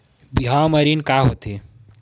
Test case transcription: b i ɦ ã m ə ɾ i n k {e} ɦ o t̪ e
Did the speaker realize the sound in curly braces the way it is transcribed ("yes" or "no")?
no